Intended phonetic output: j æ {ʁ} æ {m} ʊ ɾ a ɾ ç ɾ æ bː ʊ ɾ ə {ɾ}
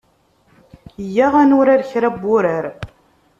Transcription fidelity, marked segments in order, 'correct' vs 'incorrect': correct, incorrect: n, correct

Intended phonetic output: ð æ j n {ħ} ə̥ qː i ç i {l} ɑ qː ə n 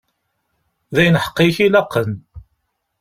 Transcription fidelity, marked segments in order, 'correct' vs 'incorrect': correct, correct

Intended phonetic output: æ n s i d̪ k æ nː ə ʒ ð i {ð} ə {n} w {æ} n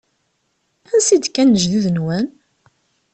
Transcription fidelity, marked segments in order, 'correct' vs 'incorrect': correct, correct, correct

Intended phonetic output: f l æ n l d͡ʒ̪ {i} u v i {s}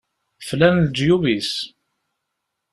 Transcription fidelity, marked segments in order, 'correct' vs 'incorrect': incorrect: j, correct

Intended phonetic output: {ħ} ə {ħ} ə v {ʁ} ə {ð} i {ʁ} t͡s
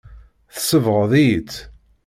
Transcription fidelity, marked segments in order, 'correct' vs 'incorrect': incorrect: θ, incorrect: s, correct, correct, incorrect: none

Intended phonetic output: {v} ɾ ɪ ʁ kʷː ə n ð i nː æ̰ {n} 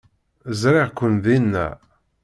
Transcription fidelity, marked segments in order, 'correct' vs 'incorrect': incorrect: z, incorrect: none

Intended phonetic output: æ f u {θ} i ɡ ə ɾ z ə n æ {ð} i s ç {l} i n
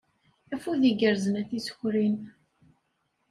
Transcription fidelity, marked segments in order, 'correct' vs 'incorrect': incorrect: ð, incorrect: θ, incorrect: ɾ

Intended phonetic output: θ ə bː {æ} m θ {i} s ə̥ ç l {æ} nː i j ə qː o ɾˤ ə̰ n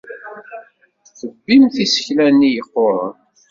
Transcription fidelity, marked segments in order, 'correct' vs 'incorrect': incorrect: i, correct, correct

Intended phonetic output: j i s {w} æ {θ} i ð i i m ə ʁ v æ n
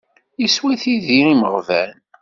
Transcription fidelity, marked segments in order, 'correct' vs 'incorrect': correct, correct

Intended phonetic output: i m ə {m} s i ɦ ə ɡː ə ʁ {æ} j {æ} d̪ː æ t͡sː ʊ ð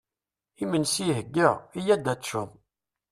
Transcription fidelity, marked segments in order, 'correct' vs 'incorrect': incorrect: n, incorrect: i, correct

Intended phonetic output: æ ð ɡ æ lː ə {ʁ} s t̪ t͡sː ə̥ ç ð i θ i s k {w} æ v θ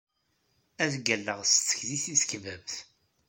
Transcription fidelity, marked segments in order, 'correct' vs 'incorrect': correct, incorrect: v

